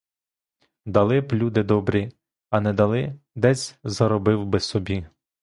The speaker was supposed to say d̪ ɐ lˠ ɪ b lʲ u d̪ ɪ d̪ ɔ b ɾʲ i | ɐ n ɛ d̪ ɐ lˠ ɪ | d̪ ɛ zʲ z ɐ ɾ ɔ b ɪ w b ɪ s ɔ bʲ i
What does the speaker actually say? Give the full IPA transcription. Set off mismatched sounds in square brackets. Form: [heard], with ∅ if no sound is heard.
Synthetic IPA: d̪ ɐ lˠ ɪ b lʲ u d̪ ɪ d̪ ɔ b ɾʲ i | ɐ n ɛ d̪ ɐ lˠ ɪ | d̪ ɛ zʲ z ɐ ɾ ɔ b ɪ w b ɪ s ɔ bʲ i